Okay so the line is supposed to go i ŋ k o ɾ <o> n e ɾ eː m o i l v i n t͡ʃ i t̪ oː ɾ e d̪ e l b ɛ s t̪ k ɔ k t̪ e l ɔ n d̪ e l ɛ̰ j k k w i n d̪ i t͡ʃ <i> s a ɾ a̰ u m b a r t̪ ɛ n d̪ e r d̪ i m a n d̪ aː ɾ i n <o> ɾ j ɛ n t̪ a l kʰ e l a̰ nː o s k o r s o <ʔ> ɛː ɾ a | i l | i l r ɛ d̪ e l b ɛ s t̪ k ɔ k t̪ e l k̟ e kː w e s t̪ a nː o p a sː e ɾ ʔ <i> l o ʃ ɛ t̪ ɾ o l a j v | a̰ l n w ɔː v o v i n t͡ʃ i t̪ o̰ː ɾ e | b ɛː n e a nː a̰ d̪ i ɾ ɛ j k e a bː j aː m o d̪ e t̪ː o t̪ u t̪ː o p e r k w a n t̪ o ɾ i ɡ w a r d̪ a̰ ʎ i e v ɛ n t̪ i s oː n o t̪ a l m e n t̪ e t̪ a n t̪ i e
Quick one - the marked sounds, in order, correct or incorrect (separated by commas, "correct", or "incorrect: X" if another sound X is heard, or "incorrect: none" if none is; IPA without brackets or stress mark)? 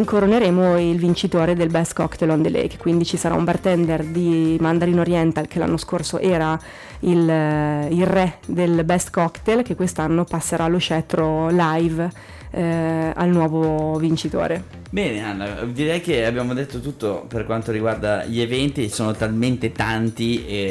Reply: correct, correct, correct, correct, incorrect: a